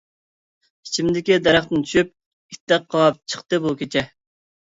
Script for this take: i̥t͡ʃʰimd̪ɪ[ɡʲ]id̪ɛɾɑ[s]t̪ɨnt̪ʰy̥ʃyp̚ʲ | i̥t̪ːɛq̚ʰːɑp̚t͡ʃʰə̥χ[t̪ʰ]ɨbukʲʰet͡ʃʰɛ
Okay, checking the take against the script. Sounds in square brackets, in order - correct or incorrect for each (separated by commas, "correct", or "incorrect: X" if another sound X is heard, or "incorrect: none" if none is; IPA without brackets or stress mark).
incorrect: kʲ, incorrect: χ, incorrect: t̪